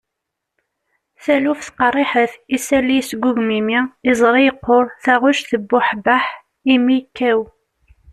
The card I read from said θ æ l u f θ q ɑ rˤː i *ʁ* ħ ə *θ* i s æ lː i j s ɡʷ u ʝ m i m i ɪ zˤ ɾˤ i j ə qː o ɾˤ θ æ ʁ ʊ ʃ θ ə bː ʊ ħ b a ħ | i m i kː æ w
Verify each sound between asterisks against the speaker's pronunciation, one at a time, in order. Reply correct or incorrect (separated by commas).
incorrect, correct